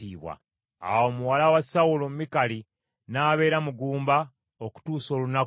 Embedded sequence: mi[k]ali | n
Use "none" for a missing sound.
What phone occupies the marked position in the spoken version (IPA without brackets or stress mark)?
k